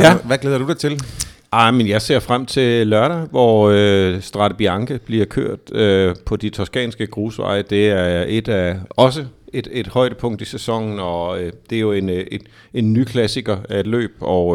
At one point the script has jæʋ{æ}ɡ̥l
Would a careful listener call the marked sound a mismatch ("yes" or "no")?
no